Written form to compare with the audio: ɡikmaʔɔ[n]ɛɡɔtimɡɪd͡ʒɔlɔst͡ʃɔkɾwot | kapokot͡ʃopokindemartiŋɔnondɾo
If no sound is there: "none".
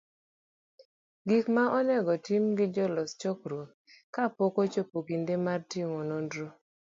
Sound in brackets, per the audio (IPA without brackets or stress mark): n